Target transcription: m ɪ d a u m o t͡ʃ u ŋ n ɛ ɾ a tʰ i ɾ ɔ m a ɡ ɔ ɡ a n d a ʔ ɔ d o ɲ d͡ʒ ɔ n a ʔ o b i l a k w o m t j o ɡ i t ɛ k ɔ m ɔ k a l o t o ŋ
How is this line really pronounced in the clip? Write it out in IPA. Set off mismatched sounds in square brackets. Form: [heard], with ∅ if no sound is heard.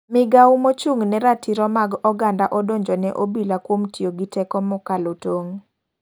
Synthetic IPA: m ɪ [ɡ] a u m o t͡ʃ u ŋ n ɛ ɾ a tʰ i ɾ ɔ m a ɡ ɔ ɡ a n d a ʔ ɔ d o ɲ d͡ʒ ɔ n [ɛ] ʔ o b i l a k w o m t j o ɡ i t ɛ k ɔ m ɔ k a l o t o ŋ

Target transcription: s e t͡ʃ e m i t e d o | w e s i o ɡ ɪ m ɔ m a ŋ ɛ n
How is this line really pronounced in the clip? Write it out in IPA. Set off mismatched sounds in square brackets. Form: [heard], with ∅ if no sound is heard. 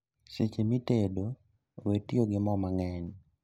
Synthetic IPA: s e t͡ʃ e m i t e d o | w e [t] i o ɡ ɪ m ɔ m a ŋ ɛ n

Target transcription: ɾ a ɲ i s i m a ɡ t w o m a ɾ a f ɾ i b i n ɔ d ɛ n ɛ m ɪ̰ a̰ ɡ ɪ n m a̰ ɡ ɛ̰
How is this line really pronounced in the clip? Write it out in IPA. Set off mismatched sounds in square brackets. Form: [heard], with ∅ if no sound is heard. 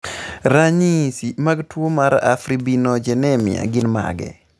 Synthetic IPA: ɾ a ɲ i s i m a ɡ t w o m a ɾ a f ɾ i b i n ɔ [d͡ʒ] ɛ n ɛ m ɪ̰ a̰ ɡ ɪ n m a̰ ɡ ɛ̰

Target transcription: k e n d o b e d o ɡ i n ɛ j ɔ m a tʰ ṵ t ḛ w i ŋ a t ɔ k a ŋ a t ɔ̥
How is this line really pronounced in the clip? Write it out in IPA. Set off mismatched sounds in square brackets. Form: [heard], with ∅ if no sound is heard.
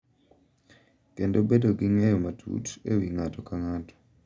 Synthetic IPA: k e n d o b e d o ɡ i [ŋ] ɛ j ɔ m a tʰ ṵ t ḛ w i ŋ a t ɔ k a ŋ a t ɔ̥

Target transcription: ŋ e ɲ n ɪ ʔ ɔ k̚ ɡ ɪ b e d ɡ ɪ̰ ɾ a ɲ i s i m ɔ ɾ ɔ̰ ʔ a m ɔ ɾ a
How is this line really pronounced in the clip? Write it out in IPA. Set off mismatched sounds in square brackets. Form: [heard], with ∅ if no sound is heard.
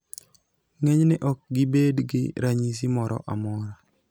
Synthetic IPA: ŋ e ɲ n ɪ ʔ ɔ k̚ ɡ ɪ b e d ɡ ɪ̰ ɾ a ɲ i s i m ɔ ɾ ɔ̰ ʔ a m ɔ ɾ a

